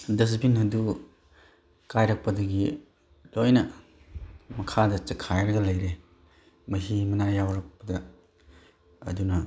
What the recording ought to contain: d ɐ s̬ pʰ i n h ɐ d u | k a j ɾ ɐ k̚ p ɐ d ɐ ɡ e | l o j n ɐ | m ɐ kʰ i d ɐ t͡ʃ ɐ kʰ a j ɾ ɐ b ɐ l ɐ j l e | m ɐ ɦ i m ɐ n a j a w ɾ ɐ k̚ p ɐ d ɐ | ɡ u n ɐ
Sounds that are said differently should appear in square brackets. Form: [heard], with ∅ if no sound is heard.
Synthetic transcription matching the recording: d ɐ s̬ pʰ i n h ɐ d u | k a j ɾ ɐ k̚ p ɐ d ɐ ɡ [i] | l o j n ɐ | m ɐ kʰ [a] d ɐ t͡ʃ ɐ kʰ a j ɾ ɐ [ɡ] ɐ l ɐ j [ɾ] e | m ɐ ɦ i m ɐ n a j a w ɾ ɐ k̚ p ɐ d ɐ | [d] u n ɐ